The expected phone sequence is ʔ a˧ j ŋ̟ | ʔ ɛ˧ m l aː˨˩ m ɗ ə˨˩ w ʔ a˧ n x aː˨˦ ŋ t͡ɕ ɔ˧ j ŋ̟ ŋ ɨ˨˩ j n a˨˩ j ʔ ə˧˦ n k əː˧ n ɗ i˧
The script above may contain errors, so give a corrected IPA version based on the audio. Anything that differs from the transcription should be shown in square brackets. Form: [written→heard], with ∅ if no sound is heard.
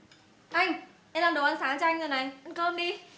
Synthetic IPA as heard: ʔ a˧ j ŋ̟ | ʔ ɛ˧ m l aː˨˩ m ɗ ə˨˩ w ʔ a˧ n [x→s] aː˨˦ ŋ t͡ɕ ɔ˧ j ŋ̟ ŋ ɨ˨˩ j n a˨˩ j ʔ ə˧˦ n k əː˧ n ɗ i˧